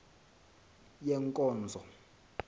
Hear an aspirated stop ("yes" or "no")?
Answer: no